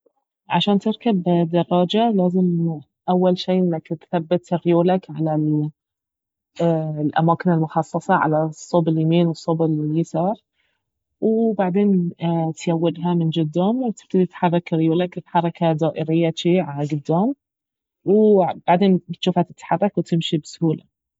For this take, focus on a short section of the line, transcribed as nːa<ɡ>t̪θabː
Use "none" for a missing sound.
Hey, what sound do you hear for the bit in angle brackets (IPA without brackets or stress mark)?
k